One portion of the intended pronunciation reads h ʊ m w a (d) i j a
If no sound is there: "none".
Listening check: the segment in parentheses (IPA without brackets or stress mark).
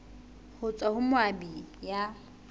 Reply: b